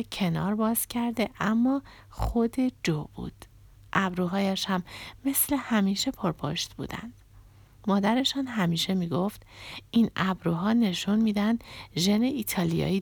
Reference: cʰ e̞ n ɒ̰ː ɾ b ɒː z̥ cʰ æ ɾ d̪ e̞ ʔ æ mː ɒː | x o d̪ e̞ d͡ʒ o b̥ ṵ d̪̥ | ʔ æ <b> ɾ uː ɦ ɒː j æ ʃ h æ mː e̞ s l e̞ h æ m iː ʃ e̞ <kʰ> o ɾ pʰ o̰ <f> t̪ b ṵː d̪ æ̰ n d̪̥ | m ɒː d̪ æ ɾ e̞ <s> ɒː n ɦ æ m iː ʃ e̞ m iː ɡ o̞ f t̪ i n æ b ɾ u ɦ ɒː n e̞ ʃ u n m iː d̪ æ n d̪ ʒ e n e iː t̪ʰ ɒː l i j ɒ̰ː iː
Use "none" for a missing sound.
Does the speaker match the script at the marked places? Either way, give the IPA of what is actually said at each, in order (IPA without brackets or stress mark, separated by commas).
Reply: b, pʰ, ʃ, ʃ